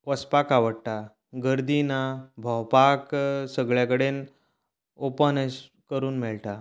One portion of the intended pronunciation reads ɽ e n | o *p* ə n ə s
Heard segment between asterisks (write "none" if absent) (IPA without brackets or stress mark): p